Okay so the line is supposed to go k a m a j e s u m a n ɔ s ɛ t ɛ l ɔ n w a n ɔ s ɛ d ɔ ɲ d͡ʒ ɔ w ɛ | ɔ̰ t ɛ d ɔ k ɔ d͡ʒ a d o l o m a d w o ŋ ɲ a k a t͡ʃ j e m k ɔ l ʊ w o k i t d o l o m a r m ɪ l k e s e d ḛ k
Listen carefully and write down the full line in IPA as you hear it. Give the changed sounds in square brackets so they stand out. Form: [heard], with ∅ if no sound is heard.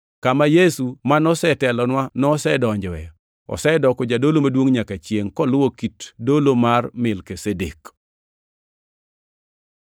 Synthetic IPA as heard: k a m a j e s u m a n ɔ s ɛ t ɛ l ɔ n w a n ɔ s ɛ d ɔ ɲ d͡ʒ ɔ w ɛ | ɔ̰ [s] ɛ d ɔ k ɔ d͡ʒ a d o l o m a d w o ŋ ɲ a k a t͡ʃ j e [ŋ] k ɔ l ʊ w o k i t d o l o m a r m ɪ l k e s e d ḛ k